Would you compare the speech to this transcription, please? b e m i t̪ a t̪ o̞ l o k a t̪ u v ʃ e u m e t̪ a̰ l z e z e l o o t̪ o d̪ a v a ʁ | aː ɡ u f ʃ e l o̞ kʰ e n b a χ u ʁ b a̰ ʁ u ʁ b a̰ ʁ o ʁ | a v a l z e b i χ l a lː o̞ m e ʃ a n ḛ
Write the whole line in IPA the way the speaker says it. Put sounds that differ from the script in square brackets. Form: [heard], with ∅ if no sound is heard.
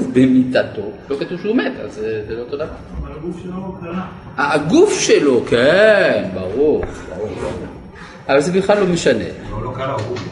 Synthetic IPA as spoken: b e m i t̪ a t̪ o̞ l o k a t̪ u v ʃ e u m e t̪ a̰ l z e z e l o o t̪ o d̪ a v a ʁ | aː ɡ u f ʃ e l o̞ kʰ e n b a [ʁ] u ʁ b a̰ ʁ u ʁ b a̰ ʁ [u] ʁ | a v a l z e b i χ l a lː o̞ m e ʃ a n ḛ